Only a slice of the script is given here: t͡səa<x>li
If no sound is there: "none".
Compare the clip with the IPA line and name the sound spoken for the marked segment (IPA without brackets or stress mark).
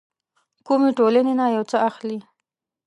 x